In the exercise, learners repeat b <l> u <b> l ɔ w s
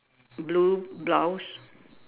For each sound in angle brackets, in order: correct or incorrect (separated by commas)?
correct, correct